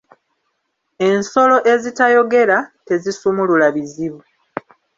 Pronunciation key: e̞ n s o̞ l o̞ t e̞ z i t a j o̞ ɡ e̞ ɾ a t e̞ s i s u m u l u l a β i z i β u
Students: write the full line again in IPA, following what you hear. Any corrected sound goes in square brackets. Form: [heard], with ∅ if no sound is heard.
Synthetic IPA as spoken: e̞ n s o̞ l o̞ [ʔ] e̞ z i t a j o̞ ɡ e̞ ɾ a t e̞ [z] i s u m u l u l a β i z i β u